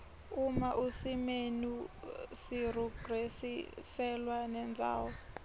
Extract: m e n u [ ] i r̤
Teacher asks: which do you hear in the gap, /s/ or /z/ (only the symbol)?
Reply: s